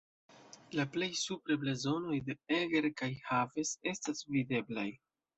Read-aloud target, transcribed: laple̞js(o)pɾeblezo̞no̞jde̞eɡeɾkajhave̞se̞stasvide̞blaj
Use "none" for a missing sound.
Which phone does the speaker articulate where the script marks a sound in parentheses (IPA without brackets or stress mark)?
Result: u